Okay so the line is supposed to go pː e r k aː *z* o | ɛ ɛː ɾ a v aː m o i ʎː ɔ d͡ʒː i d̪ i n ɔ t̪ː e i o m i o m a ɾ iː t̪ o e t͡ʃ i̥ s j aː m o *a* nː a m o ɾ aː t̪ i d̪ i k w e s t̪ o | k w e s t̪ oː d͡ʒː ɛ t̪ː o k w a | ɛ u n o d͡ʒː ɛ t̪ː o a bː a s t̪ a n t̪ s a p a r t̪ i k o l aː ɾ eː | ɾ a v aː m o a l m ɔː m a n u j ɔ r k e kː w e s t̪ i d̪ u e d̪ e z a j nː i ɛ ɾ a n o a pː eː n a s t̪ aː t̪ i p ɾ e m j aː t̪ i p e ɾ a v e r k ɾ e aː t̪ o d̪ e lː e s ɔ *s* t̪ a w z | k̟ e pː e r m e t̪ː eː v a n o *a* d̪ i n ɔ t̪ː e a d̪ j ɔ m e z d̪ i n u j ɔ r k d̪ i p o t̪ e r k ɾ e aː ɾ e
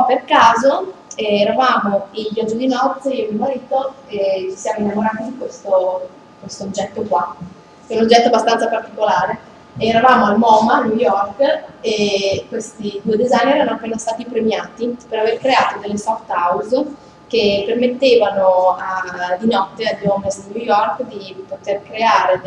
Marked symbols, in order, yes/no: yes, no, no, yes

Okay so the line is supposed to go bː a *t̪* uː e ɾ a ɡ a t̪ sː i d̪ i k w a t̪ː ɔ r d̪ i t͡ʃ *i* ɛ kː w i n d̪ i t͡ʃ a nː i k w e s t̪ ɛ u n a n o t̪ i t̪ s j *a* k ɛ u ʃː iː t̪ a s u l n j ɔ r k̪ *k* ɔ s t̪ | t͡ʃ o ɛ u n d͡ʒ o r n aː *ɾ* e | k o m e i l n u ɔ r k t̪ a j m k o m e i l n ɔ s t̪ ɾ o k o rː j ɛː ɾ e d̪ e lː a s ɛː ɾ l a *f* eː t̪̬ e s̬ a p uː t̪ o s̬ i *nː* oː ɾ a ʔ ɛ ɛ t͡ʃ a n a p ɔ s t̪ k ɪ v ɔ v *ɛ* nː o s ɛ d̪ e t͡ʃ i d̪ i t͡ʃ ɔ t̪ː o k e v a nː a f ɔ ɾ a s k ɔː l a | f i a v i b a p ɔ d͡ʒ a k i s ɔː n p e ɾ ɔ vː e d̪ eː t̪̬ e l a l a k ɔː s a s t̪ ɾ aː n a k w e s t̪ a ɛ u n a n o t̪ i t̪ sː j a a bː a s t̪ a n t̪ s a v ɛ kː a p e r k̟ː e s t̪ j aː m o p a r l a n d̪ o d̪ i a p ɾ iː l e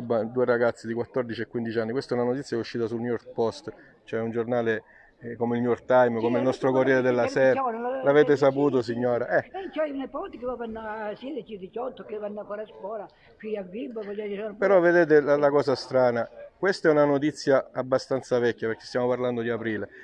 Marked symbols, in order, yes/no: no, yes, yes, no, no, no, no, no

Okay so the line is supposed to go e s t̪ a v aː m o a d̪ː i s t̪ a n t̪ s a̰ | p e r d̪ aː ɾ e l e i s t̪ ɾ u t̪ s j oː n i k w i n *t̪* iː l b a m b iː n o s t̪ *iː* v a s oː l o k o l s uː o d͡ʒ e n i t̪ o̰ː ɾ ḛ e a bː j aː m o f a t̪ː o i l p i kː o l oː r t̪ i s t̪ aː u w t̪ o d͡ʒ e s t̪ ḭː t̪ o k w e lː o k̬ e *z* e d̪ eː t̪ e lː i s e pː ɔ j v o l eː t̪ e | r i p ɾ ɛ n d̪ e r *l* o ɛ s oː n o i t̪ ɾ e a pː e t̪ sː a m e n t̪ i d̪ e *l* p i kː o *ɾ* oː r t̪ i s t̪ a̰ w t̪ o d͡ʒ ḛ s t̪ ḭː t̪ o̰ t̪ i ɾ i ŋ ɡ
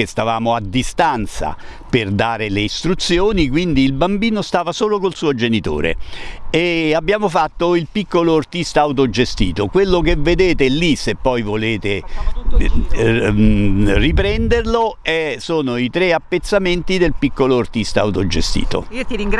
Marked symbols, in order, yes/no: no, no, no, yes, yes, no

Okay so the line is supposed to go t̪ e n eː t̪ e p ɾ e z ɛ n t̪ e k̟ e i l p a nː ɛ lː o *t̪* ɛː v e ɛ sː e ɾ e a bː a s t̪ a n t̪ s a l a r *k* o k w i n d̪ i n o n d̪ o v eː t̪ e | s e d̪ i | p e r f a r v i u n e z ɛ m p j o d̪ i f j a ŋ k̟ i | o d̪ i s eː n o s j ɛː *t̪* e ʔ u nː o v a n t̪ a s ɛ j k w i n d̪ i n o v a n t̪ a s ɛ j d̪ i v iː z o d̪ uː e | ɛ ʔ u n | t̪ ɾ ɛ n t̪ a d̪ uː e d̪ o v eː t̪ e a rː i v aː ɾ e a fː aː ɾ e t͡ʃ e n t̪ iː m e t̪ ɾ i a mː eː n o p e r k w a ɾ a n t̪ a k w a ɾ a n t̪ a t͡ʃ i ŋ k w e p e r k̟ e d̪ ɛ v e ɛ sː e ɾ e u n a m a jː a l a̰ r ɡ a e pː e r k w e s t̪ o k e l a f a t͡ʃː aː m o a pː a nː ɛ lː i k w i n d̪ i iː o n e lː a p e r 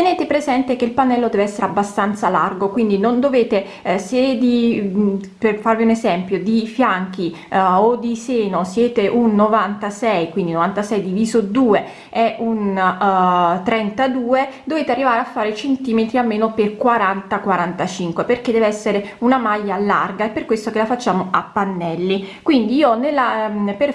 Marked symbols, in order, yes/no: no, no, yes

